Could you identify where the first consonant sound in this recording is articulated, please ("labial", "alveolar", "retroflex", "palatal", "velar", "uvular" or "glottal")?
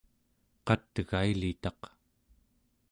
uvular